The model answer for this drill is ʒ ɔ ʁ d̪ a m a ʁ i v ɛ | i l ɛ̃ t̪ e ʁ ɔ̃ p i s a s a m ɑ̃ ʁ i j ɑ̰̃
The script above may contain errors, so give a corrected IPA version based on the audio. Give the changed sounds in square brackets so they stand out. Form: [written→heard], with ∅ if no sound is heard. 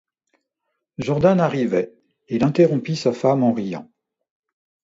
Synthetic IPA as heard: ʒ ɔ ʁ d̪ a [m→n] a ʁ i v ɛ | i l ɛ̃ t̪ e ʁ ɔ̃ p i s a [s→f] a m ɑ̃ ʁ i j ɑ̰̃